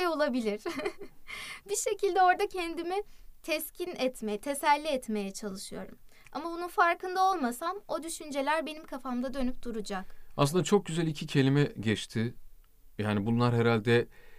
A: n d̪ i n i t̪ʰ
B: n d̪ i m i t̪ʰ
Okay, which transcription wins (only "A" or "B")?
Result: B